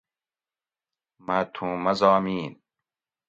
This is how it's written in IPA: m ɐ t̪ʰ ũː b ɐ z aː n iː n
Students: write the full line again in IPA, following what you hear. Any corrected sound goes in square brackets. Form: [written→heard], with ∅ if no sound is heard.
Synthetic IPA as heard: m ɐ t̪ʰ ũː [b→m] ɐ z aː [n→m] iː n